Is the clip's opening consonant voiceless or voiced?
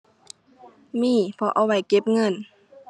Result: voiced